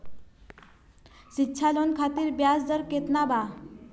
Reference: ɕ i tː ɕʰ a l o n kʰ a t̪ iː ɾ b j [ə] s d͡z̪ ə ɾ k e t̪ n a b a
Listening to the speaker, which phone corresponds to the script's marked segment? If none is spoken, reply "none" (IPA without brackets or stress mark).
a